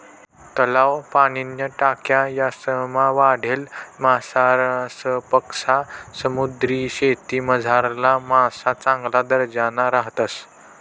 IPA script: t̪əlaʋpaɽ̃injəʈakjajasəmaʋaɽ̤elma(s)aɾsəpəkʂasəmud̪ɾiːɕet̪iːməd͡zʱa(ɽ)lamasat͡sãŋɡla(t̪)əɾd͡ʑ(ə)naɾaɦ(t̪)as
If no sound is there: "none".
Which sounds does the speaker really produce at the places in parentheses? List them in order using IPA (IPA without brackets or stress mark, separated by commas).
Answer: s, ɾ, d̪, a, t̪